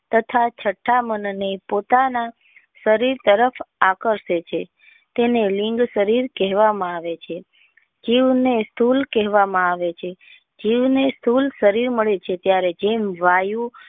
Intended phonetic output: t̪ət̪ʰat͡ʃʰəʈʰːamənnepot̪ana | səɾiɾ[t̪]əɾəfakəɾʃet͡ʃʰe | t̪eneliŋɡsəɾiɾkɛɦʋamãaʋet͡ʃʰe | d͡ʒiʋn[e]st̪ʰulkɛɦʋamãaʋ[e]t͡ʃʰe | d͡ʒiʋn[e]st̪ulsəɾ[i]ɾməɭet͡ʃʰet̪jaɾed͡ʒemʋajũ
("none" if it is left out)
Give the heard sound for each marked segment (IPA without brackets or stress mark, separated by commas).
t̪, e, e, e, i